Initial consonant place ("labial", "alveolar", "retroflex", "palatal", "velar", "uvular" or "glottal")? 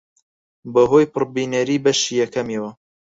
labial